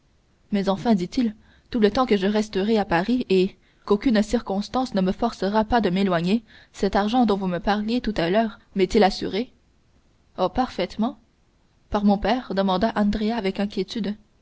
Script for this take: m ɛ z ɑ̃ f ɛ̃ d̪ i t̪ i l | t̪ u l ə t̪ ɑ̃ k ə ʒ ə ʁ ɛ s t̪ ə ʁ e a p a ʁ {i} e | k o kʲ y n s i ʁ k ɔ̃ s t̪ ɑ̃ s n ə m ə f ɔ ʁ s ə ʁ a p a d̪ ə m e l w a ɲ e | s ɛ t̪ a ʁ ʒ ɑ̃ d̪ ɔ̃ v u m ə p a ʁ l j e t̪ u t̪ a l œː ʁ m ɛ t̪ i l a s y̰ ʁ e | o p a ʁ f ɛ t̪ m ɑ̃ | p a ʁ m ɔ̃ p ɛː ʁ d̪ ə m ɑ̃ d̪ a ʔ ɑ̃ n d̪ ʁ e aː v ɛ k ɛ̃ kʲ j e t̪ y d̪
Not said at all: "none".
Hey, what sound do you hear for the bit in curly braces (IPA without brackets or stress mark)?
i